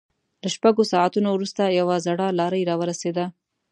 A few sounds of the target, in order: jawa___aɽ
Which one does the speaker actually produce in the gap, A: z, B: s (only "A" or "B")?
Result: A